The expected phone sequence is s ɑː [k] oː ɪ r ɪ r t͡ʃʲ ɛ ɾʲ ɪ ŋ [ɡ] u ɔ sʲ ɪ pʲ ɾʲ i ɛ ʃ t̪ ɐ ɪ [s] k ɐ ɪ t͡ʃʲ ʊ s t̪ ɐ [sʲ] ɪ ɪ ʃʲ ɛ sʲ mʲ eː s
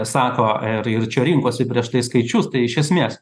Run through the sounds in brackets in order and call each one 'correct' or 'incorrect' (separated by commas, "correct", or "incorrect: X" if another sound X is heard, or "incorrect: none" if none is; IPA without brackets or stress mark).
correct, incorrect: k, correct, incorrect: none